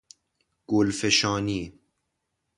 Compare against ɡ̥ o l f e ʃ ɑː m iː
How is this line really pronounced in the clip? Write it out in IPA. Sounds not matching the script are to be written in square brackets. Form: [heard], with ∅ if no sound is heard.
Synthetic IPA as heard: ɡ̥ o l f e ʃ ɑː [n] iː